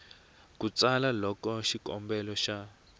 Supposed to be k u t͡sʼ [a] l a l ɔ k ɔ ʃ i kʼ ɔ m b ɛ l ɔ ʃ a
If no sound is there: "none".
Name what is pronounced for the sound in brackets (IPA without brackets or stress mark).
a